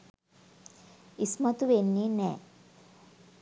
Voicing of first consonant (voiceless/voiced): voiceless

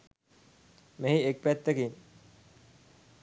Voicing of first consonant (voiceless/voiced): voiced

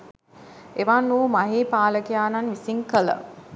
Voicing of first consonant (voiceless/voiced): voiced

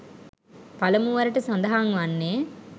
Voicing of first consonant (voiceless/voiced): voiceless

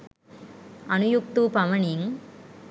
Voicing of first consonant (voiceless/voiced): voiced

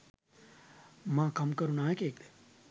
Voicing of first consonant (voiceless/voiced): voiced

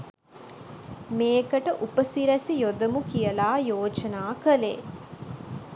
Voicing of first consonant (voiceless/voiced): voiced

